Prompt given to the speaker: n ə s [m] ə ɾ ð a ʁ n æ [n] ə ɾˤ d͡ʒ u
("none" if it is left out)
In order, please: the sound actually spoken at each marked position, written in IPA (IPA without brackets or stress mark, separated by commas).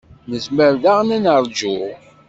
m, n